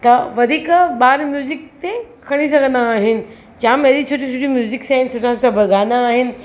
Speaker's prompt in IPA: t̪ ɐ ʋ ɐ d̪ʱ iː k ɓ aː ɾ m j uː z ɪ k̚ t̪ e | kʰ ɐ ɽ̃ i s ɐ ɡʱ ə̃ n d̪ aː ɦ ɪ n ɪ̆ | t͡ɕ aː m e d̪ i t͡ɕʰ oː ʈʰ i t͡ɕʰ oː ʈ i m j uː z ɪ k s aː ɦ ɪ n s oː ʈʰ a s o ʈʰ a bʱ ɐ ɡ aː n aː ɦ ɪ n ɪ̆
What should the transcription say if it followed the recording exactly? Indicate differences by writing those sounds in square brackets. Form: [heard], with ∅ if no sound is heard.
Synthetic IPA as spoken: t̪ ɐ ʋ ɐ d̪ʱ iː k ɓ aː ɾ m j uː z ɪ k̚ t̪ e | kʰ ɐ ɽ̃ i s ɐ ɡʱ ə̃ n d̪ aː ɦ ɪ n ɪ̆ | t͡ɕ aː m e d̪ i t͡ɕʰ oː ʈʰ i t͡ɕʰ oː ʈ i m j uː z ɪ k s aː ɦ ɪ n s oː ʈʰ a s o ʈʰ a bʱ ɐ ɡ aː n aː ɦ ɪ n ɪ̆